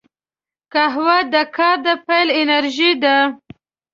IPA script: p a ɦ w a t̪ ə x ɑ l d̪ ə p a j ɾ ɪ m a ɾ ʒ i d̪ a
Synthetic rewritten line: k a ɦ w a d̪ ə k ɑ ɾ d̪ ə p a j l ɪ n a ɾ ʒ i d̪ a